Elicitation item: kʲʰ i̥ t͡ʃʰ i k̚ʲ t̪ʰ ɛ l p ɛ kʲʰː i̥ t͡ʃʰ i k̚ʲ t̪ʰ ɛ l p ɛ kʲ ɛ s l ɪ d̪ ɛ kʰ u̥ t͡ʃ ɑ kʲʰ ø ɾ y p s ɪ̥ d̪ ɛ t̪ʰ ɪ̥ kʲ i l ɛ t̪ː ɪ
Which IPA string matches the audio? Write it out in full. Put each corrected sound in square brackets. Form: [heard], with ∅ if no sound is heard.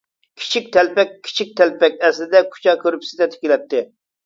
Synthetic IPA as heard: kʲʰ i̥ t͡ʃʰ i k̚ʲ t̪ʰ ɛ l p ɛ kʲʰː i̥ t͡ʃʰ i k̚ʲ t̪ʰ ɛ l p ɛ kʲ ɛ s l ɪ d̪ ɛ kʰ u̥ t͡ʃ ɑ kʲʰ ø ɾ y p s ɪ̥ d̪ ɛ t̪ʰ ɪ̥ kʲ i l ɛ t̪ː ɪ